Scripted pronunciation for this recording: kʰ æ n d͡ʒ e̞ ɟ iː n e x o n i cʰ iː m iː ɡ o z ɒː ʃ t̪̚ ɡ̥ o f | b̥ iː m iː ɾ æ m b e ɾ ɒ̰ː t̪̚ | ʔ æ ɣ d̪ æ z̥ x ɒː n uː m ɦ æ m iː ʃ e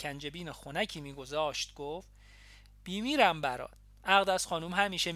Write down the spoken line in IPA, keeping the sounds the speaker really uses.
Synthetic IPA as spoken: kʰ æ n d͡ʒ e̞ b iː n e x o n æ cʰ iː m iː ɡ o z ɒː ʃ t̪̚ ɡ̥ o f | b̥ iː m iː ɾ æ m b æ ɾ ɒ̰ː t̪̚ | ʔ æ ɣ d̪ æ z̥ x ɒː n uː m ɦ æ m iː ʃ e